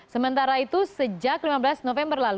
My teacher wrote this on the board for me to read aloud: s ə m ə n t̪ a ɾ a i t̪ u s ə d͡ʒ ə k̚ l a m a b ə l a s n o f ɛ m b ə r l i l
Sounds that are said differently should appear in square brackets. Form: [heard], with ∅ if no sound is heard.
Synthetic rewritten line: s ə m ə n t̪ a ɾ a i t̪ u s ə d͡ʒ [a] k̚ l [i] m a b ə l a s n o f ɛ m b ə r l [a] l